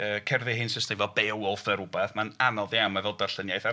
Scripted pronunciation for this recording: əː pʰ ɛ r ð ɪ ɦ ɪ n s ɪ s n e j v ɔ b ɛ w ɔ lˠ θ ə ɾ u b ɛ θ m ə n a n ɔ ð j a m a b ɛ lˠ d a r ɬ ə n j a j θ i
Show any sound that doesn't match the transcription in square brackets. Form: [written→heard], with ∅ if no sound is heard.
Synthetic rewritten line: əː [pʰ→kʰ] ɛ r ð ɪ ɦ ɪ n s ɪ s n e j v ɔ b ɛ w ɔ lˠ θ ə ɾ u b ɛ θ m [ə→a] n a n ɔ ð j a m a [b→v] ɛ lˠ d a r ɬ ə n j a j θ [i→a]